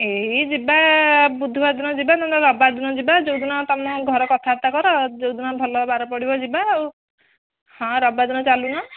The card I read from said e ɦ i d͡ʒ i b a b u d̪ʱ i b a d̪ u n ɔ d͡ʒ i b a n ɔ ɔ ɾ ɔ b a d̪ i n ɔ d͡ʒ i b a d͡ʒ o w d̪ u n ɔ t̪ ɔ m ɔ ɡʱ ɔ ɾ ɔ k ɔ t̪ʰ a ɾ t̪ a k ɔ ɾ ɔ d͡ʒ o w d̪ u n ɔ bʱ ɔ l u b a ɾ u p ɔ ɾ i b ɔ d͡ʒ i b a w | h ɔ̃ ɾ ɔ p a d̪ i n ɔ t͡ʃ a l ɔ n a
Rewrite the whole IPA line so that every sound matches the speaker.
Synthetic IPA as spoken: e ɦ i d͡ʒ i b a b u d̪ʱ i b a d̪ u n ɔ d͡ʒ i b a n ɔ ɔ ɾ ɔ b a d̪ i n ɔ d͡ʒ i b a d͡ʒ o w d̪ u n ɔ t̪ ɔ m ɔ ɡʱ ɔ ɾ ɔ k ɔ t̪ʰ a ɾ t̪ a k ɔ ɾ ɔ d͡ʒ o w d̪ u n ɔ bʱ ɔ l ɔ b a ɾ ɔ p ɔ ɽ i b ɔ d͡ʒ i b a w | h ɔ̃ ɾ ɔ b a d̪ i n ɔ t͡ʃ a l u n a

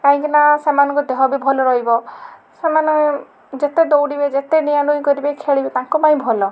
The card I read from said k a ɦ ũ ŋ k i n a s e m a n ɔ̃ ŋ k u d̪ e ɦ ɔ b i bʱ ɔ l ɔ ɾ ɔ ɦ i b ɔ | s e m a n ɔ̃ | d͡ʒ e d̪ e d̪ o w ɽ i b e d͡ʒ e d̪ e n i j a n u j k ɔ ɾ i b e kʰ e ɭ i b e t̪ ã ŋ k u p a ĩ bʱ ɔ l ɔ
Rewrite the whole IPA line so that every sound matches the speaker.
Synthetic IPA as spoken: k a ɦ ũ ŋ k i n a s e m a n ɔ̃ ŋ k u d̪ e ɦ ɔ b i bʱ ɔ l ɔ ɾ ɔ ɦ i b ɔ | s e m a n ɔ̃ | d͡ʒ e t̪ e d̪ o w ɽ i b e d͡ʒ e t̪ e n i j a n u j k ɔ ɾ i b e kʰ e ɭ i b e t̪ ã ŋ k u p a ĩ bʱ ɔ l ɔ

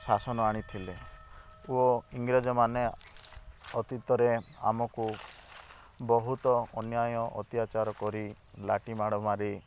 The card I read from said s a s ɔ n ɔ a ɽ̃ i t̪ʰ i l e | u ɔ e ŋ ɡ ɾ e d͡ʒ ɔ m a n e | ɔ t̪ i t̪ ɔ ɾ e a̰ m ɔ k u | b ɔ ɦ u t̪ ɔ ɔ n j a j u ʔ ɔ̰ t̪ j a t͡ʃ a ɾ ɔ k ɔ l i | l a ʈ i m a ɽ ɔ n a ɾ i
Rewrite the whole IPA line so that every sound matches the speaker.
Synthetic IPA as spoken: s a s ɔ n ɔ a ɽ̃ i t̪ʰ i l e | u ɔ i ŋ ɡ ɾ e d͡ʒ ɔ m a n e | ɔ t̪ i t̪ ɔ ɾ e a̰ m ɔ k u | b ɔ ɦ u t̪ ɔ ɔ n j a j ɔ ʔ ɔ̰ t̪ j a t͡ʃ a ɾ ɔ k ɔ ɾ i | l a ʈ i m a ɽ ɔ m a ɾ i

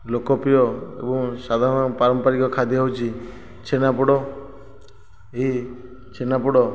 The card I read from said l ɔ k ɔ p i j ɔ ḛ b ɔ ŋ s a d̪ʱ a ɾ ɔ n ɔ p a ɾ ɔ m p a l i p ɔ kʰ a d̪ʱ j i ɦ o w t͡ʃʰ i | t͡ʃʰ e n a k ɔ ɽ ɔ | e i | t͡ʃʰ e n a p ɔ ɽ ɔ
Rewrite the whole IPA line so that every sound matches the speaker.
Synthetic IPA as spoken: l o k ɔ p i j ɔ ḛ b ɔ ŋ s a d̪ʱ a ɾ ɔ n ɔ p a ɾ ɔ m p a ɾ i k ɔ kʰ a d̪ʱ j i ɦ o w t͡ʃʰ i | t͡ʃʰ e n a p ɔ ɽ ɔ | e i | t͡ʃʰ e n a p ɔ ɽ ɔ

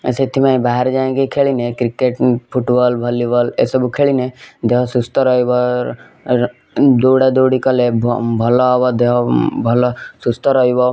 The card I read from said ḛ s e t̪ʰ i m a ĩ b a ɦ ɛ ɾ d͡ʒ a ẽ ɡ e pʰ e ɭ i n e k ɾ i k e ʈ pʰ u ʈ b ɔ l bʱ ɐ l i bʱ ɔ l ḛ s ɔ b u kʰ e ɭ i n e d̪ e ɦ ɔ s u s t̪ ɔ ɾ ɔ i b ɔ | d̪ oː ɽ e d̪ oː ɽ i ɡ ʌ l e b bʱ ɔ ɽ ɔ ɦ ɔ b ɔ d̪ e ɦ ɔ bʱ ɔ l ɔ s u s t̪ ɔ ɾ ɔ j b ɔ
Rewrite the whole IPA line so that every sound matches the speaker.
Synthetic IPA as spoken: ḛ s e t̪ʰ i m a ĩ b a ɦ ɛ ɾ d͡ʒ a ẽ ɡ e kʰ e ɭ i n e k ɾ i k e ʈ pʰ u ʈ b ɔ l bʱ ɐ l i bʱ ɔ l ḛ s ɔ b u kʰ e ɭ i n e d̪ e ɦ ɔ s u s t̪ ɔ ɾ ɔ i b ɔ | d̪ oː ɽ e d̪ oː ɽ i k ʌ l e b bʱ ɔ l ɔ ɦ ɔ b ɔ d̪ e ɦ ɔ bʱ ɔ l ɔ s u s t̪ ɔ ɾ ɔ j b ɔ

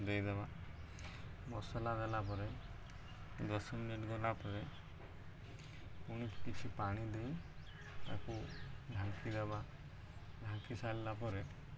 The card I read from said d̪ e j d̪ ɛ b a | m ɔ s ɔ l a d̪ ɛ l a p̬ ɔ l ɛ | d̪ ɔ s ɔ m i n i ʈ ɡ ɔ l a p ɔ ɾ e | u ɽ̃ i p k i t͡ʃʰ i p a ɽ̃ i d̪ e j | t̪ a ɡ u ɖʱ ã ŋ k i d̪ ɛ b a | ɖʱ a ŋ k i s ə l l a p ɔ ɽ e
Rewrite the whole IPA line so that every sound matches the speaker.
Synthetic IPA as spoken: d̪ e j d̪ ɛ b a | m ɔ s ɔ l a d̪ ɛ l a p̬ ɔ ɾ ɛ | d̪ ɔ s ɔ m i n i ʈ ɡ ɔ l a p ɔ ɾ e | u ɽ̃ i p k i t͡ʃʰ i p a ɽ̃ i d̪ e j | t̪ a k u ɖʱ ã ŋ k i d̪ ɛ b a | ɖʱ a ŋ k i s a l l a p ɔ ɾ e

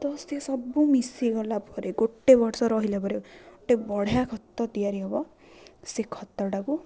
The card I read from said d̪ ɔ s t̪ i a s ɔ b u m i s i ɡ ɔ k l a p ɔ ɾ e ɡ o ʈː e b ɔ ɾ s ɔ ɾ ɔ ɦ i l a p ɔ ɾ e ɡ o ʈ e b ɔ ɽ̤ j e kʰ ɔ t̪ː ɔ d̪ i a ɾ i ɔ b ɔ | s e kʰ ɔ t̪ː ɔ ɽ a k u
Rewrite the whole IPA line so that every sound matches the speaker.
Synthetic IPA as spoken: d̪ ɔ s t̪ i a s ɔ b u m i s i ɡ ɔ l a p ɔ ɾ e ɡ o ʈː e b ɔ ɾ s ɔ ɾ ɔ ɦ i l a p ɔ ɾ e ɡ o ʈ e b ɔ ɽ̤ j a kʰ ɔ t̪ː ɔ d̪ i a ɾ i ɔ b ɔ | s e kʰ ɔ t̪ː ɔ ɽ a k u

